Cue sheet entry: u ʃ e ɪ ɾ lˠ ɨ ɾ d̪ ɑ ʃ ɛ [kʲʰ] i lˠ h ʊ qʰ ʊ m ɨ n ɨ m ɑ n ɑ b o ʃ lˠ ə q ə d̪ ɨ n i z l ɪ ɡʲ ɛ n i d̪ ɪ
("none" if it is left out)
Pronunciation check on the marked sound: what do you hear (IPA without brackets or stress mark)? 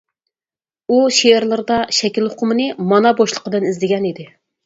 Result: kʲ